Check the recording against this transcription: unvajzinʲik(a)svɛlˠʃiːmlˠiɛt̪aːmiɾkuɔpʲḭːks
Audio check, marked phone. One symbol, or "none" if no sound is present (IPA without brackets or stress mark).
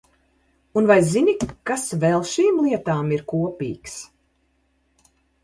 a